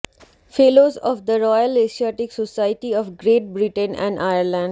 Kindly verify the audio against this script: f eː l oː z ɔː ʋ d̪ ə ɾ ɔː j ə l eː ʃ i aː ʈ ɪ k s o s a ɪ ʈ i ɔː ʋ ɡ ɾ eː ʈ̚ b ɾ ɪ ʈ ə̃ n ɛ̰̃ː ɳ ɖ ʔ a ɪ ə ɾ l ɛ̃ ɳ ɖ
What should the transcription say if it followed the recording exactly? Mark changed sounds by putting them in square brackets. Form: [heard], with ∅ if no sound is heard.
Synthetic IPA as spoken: f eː l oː z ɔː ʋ d̪ ə ɾ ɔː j ə l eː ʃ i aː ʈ ɪ k s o s a ɪ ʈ i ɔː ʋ ɡ ɾ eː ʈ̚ b ɾ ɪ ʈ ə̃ n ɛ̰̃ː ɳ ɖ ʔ a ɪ ə ɾ l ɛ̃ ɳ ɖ